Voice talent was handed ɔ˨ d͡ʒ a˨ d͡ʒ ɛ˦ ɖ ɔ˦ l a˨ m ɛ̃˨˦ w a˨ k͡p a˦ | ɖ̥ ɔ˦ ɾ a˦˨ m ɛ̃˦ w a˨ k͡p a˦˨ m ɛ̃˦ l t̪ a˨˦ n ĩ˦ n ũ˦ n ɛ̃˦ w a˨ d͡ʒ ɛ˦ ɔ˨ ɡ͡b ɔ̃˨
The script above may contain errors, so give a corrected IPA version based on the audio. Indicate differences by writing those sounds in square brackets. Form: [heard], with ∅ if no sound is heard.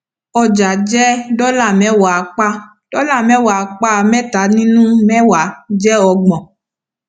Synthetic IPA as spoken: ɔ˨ d͡ʒ a˨ d͡ʒ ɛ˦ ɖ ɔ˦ l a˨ m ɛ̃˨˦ w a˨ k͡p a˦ | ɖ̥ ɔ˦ [l] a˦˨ m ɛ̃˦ w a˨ k͡p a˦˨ m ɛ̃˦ [∅] t̪ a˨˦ n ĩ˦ n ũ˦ [m] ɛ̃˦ w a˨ d͡ʒ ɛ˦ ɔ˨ ɡ͡b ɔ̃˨